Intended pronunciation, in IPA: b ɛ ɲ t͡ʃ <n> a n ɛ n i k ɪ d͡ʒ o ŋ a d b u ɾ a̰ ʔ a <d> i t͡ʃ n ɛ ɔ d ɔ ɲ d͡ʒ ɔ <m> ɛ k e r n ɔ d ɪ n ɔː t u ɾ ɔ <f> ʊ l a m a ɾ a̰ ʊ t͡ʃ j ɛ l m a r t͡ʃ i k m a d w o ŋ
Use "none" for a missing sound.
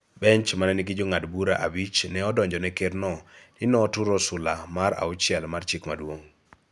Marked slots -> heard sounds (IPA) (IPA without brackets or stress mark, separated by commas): m, b, n, s